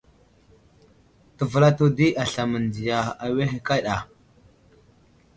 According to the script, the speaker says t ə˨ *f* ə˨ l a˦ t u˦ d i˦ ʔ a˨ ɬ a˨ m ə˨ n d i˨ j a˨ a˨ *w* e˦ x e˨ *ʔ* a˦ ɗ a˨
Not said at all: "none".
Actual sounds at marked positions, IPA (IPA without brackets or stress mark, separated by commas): v, w, k